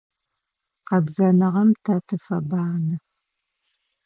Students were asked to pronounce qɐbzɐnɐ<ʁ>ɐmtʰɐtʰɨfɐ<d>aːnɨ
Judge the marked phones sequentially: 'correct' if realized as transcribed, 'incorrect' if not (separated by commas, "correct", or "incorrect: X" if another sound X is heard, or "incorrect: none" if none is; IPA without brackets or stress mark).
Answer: correct, incorrect: b